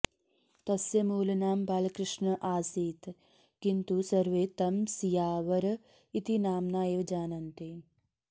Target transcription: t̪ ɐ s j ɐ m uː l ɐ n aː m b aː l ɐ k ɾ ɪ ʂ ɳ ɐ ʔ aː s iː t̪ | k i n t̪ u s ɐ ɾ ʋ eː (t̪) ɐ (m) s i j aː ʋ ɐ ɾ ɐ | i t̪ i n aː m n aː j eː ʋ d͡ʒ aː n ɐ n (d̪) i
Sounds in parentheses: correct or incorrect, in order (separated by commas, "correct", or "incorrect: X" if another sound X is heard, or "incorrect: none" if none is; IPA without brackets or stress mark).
correct, correct, incorrect: t̪